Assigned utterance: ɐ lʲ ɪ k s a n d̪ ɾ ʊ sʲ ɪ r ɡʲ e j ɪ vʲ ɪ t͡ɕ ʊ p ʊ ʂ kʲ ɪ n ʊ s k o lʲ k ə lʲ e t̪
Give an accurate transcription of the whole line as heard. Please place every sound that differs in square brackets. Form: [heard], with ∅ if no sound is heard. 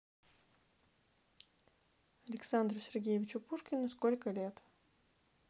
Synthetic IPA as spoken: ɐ lʲ ɪ k s a n d̪ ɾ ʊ sʲ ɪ r ɡʲ e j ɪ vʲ ɪ t͡ɕ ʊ p [u] ʂ kʲ ɪ n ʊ s k o lʲ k ə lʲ e t̪